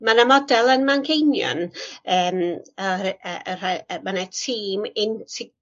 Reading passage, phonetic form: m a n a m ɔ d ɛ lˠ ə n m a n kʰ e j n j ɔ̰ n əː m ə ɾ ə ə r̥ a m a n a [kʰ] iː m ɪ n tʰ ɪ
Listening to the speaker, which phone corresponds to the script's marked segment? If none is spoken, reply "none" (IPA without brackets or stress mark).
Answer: tʰ